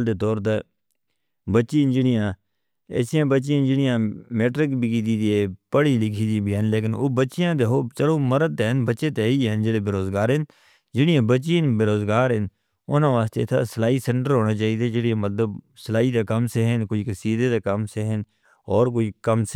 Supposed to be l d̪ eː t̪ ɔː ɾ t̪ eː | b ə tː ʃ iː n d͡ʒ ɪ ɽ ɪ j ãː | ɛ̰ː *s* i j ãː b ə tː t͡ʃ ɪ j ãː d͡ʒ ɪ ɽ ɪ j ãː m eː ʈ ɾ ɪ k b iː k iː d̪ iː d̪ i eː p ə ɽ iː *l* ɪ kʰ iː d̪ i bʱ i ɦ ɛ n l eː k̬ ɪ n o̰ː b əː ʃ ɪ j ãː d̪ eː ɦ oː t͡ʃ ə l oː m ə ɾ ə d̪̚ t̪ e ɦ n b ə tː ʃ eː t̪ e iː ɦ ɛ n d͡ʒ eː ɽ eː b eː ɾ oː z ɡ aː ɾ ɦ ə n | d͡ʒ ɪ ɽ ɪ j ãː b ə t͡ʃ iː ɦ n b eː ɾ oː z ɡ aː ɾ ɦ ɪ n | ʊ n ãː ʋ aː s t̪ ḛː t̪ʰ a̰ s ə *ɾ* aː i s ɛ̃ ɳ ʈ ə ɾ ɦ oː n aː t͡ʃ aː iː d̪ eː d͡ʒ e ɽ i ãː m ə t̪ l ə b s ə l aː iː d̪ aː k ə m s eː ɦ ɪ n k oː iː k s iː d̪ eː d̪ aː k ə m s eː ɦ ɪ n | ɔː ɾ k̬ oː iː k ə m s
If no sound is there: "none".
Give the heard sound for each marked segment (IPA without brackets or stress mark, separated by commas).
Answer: s, l, l